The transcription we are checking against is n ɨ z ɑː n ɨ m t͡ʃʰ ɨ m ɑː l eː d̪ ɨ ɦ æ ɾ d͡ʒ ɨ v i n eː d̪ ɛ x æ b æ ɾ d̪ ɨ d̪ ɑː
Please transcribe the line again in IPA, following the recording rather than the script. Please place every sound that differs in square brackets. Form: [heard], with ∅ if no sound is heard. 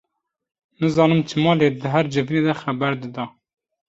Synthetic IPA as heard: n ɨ z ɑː n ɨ m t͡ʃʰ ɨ m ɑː l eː d̪ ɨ ɦ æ ɾ d͡ʒ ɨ v i n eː d̪ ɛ x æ b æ ɾ d̪ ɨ d̪ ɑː